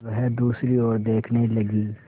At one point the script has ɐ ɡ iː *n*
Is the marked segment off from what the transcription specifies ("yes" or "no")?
yes